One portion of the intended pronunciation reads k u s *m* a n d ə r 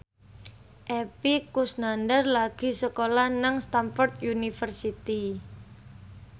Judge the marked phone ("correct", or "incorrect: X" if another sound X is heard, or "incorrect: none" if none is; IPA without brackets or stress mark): incorrect: n